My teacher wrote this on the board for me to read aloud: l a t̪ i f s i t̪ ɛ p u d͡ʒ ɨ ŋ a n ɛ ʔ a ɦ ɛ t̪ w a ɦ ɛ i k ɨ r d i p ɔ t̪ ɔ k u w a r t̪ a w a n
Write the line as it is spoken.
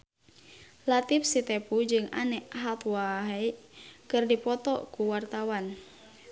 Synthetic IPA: l a t̪ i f s i t̪ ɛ p u d͡ʒ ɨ ŋ a n ɛ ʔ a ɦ a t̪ w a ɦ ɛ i k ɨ r d i p ɔ t̪ ɔ k u w a r t̪ a w a n